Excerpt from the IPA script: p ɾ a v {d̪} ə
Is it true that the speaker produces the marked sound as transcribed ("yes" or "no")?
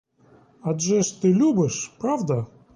yes